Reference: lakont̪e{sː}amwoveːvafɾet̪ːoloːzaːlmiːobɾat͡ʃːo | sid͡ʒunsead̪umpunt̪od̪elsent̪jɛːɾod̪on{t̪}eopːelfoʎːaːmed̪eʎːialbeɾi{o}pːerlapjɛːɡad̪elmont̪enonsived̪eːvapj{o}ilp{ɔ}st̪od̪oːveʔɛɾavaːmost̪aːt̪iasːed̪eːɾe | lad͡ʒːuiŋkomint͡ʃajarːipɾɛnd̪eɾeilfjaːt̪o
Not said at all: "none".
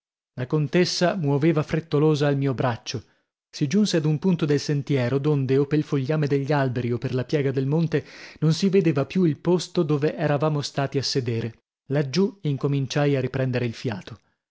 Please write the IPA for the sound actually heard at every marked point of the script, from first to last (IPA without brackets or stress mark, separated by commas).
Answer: sː, d̪, o, u, o